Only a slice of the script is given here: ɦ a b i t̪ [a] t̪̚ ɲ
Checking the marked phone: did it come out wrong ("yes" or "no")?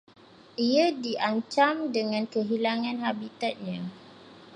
no